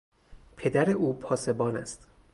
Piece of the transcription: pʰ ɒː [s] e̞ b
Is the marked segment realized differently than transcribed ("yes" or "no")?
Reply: no